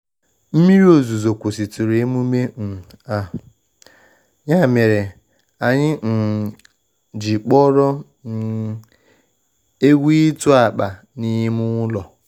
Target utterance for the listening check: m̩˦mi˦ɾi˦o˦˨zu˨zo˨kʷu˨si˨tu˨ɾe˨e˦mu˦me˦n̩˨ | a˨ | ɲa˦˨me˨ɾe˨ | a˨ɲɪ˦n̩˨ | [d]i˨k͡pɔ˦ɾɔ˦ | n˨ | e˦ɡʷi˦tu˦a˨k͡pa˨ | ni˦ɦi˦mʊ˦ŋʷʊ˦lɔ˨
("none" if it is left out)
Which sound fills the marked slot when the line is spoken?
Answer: d͡ʒ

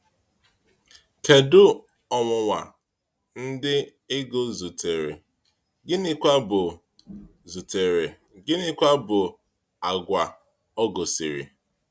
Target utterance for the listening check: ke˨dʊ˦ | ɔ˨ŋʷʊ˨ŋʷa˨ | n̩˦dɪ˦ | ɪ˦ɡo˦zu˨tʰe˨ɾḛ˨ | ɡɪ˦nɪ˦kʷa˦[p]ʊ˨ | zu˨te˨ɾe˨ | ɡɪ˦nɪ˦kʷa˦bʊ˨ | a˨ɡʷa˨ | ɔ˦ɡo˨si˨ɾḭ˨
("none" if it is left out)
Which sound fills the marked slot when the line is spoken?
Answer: b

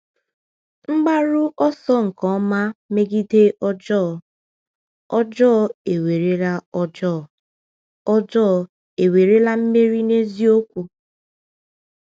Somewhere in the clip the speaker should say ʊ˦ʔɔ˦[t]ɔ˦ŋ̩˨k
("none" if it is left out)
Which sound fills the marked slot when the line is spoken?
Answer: s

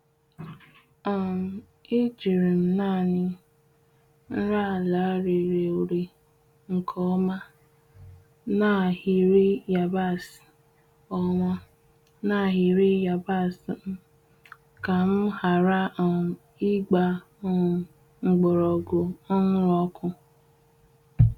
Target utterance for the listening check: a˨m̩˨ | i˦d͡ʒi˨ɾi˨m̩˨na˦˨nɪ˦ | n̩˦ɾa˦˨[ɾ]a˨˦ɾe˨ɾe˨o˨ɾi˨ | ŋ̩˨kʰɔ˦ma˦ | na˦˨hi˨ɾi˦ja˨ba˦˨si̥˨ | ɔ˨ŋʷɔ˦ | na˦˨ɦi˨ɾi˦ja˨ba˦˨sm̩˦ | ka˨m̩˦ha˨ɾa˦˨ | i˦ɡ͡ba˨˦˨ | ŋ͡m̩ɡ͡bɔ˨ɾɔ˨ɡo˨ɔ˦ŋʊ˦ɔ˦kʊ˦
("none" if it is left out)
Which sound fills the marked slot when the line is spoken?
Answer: l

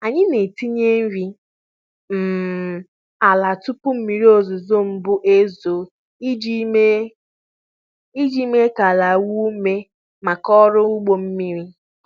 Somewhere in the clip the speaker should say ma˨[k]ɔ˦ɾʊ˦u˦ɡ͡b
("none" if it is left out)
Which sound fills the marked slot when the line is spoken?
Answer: k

